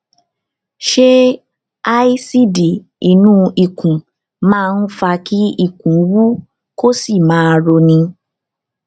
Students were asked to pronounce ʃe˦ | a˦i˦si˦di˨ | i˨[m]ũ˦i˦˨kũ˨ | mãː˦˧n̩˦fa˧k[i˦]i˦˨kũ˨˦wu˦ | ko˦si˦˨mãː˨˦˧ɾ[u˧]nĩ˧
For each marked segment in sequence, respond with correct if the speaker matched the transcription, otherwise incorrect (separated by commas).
incorrect, correct, incorrect